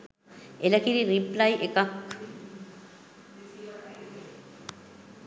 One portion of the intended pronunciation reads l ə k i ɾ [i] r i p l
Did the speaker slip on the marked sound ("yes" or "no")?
no